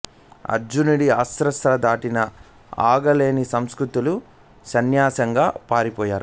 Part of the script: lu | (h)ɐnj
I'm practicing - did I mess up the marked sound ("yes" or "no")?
yes